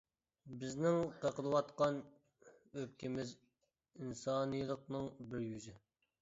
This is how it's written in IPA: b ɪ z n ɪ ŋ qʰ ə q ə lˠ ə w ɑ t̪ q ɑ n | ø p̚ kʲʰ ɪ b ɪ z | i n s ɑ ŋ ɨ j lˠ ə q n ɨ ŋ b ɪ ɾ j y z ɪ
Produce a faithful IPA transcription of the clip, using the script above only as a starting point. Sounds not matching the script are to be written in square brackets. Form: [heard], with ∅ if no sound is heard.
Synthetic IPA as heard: b ɪ z n ɪ ŋ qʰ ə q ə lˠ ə w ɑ t̪ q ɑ n | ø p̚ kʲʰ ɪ [m] ɪ z | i n s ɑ [n] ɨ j lˠ ə q n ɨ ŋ b ɪ ɾ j y z ɪ